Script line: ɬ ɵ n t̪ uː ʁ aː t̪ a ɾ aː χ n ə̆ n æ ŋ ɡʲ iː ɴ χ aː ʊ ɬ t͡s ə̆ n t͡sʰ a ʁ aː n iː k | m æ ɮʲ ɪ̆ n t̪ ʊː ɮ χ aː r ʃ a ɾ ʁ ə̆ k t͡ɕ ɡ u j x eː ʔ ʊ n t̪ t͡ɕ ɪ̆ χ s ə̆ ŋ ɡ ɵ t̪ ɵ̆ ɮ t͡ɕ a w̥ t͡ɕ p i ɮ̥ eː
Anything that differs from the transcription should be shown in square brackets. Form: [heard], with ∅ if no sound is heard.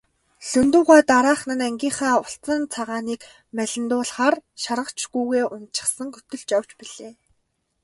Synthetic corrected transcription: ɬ ɵ n t̪ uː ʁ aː t̪ a ɾ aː χ n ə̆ n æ ŋ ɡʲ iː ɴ χ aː ʊ ɬ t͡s ə̆ n t͡sʰ a ʁ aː n iː k | m æ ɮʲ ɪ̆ n t̪ ʊː ɮ χ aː r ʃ a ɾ ʁ ə̆ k t͡ɕ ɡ u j [ɣ] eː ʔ ʊ n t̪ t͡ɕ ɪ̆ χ s ə̆ ŋ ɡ ɵ t̪ ɵ̆ ɮ t͡ɕ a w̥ t͡ɕ p i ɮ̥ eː